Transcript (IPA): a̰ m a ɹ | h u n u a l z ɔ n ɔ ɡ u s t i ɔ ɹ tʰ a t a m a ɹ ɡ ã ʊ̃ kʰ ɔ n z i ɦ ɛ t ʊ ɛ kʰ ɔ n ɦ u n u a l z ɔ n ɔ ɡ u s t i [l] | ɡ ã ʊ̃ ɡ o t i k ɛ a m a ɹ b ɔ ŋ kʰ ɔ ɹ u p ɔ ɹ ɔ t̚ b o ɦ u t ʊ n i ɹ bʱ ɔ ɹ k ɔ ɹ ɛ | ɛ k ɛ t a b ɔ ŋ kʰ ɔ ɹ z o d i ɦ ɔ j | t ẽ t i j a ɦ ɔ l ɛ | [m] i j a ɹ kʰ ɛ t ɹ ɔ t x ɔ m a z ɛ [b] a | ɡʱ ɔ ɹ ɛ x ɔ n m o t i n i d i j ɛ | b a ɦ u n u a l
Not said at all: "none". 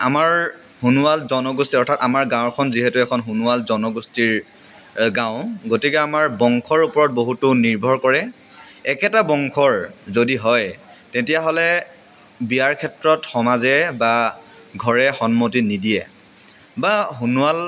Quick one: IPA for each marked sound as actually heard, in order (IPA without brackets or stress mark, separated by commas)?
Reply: ɹ, b, b